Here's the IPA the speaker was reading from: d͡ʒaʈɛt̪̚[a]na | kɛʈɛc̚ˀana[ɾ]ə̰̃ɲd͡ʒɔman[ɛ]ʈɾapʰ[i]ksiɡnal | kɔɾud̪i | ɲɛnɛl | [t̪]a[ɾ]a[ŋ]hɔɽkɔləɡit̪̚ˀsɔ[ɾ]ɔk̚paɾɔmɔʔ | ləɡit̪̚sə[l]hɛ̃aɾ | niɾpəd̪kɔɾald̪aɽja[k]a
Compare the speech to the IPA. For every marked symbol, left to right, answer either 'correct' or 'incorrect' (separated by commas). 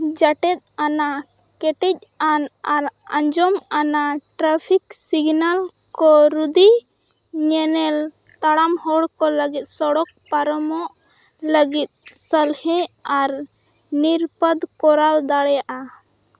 correct, correct, incorrect, correct, correct, incorrect, incorrect, incorrect, correct, incorrect